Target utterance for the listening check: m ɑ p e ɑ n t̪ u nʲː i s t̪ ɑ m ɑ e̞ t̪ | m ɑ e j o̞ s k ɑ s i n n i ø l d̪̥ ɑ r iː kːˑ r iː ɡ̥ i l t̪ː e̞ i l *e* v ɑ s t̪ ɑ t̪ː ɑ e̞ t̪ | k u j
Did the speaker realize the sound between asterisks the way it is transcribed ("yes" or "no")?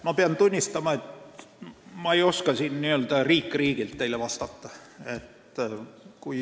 yes